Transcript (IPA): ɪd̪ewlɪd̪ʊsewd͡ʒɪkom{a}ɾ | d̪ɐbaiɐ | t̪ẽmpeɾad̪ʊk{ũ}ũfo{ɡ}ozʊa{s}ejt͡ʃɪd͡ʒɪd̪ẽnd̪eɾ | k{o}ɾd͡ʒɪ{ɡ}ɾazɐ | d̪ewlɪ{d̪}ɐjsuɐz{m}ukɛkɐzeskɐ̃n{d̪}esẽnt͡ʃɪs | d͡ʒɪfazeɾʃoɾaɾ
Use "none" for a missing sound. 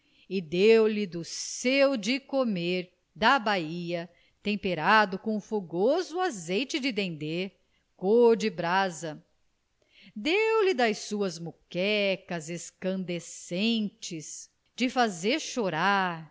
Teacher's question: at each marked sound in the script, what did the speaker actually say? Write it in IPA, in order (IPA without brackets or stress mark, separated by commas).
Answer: e, õ, ɡ, z, o, b, d̪, m, d̪